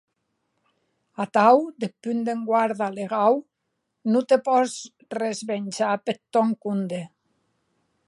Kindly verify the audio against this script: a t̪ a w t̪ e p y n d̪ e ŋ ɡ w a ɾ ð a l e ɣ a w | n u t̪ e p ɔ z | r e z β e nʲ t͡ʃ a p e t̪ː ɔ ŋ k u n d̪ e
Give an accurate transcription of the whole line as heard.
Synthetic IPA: a t̪ a w d̪ e p y n d̪ e ŋ ɡ w a ɾ ð a l e ɣ a w | n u t̪ e p ɔ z | r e z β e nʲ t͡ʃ a p e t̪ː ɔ ŋ k u n d̪ e